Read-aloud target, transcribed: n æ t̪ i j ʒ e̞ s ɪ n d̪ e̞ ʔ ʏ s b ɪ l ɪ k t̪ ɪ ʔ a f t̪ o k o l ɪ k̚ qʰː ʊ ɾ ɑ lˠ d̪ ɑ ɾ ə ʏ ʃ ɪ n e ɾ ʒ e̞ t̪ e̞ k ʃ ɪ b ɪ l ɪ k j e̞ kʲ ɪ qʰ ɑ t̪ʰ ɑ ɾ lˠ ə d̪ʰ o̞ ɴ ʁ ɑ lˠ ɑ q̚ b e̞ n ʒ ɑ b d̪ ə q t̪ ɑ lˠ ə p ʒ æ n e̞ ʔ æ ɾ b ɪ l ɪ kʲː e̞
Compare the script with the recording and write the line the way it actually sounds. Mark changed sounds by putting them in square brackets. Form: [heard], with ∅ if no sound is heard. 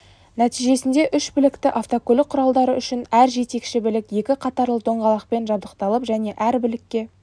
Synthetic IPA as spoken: n æ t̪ i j ʒ e̞ s ɪ n d̪ e̞ ʔ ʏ [ʃ] b ɪ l ɪ k t̪ ɪ ʔ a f t̪ o k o l ɪ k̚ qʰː ʊ ɾ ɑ lˠ d̪ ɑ ɾ ə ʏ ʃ ɪ n [æ] ɾ ʒ e̞ t̪ e̞ k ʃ ɪ b ɪ l ɪ k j e̞ kʲ ɪ qʰ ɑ [t̪] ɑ ɾ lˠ ə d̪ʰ o̞ ɴ ʁ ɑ lˠ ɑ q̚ [p] e̞ n ʒ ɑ b d̪ ə q t̪ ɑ lˠ ə p ʒ æ n e̞ ʔ æ ɾ b ɪ l ɪ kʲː e̞